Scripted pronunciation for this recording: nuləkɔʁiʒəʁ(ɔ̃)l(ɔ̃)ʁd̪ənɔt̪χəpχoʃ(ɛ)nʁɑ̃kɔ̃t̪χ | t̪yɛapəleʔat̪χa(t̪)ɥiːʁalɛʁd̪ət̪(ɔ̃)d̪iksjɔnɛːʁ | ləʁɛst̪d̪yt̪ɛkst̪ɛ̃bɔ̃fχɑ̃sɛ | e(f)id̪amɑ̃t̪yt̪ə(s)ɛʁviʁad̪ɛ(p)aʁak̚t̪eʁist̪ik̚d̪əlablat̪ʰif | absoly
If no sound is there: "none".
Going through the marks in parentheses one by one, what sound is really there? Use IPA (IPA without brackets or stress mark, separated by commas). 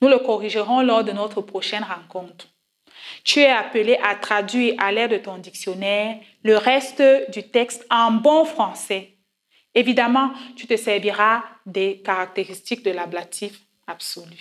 ɔ̃, ɔ, ɛ, d̪, ɔ̃, v, s, k